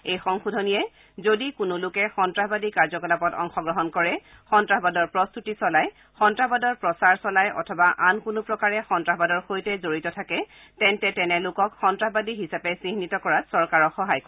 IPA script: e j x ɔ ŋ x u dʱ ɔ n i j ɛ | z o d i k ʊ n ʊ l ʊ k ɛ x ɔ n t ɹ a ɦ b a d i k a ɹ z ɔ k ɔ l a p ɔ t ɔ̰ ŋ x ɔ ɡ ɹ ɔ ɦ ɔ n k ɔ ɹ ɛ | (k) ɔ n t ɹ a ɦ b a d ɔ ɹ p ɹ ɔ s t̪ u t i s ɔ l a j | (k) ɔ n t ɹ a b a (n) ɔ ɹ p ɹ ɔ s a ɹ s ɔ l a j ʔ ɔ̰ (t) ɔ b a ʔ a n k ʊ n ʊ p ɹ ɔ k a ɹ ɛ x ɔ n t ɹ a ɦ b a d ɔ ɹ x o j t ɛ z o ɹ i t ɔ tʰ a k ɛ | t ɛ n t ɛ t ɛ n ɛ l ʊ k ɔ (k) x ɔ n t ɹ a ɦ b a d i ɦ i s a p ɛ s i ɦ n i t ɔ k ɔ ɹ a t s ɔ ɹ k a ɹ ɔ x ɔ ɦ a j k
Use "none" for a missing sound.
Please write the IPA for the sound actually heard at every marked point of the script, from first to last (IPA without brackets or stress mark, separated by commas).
x, x, d, tʰ, k